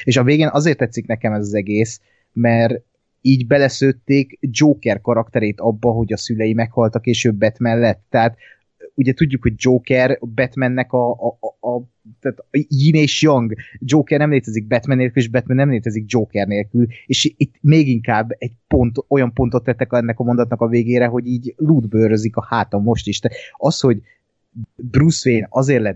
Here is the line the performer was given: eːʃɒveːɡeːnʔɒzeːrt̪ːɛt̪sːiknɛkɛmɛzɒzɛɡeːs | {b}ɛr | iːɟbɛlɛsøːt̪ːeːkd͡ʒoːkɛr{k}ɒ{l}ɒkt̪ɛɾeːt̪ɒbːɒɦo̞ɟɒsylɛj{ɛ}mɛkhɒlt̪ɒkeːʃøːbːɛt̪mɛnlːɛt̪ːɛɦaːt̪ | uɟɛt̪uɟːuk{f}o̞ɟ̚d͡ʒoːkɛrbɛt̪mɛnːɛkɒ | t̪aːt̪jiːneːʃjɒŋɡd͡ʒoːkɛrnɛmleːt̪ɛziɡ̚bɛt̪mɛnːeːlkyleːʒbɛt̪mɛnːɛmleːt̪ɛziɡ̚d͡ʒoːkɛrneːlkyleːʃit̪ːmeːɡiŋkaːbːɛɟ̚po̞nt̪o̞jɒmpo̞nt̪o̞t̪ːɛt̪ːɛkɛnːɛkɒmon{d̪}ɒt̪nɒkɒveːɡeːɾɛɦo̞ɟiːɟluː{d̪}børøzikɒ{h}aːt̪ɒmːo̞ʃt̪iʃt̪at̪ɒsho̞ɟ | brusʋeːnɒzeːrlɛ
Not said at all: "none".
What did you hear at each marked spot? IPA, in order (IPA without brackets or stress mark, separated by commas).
m, k, ɾ, i, h, d̪, d̪, h